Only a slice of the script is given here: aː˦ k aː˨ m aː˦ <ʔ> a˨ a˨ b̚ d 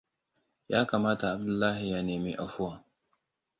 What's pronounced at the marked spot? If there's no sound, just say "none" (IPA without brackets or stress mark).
t